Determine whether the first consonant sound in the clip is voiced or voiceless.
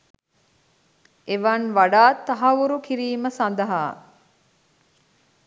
voiced